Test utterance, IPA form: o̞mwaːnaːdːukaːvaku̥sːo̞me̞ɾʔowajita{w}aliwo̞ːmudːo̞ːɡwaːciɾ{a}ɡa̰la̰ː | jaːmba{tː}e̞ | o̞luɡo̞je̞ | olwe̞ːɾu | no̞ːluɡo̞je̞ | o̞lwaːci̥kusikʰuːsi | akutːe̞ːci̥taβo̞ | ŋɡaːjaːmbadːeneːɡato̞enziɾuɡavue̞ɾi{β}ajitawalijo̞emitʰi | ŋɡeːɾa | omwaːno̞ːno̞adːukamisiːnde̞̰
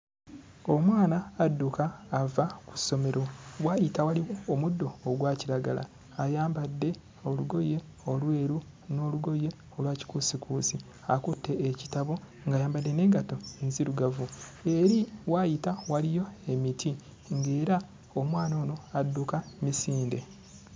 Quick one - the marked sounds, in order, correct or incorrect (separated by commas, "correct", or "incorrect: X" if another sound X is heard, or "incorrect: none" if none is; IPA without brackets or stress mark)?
correct, correct, incorrect: dː, incorrect: w